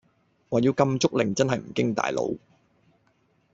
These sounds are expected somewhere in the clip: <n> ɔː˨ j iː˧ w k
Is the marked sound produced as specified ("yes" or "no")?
no